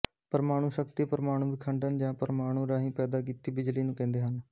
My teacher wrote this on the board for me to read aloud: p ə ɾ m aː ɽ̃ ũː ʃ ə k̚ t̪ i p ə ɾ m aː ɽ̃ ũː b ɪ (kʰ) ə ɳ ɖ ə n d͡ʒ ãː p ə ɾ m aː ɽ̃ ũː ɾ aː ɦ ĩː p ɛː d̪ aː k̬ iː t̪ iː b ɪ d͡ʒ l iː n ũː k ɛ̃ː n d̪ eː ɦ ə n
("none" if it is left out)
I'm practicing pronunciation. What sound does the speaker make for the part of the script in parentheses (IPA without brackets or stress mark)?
kʰ